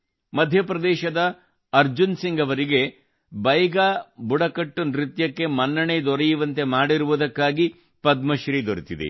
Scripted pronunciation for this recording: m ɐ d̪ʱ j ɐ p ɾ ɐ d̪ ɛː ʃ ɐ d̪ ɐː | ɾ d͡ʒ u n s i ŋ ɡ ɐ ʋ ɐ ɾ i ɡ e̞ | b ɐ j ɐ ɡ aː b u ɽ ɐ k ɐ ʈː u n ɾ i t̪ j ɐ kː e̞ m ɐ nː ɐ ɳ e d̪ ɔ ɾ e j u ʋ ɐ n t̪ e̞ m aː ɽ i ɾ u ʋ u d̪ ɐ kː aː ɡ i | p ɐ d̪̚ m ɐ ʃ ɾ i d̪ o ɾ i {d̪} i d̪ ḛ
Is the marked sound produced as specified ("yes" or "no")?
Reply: no